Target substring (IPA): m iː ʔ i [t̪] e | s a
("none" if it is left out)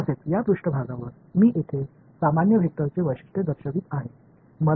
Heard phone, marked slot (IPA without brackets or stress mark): t̪ʰ